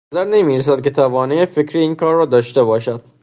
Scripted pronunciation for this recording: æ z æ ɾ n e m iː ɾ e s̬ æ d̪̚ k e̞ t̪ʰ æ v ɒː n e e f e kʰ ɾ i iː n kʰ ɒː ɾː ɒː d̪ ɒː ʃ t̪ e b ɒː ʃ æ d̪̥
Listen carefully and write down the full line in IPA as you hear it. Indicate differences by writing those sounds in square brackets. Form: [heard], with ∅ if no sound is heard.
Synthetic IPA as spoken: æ z æ ɾ n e m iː ɾ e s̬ æ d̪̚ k e̞ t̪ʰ æ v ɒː n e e f e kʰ ɾ i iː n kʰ ɒː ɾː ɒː d̪ ɒː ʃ t̪ e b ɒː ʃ æ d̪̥